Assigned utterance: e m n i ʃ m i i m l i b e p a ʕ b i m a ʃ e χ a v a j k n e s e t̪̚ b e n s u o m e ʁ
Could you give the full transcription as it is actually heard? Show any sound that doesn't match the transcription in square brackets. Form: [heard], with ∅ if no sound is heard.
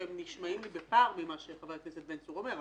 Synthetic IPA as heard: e m n i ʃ m [a] i m l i b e p a [ʁ] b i m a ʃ e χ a v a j k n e s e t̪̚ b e n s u o m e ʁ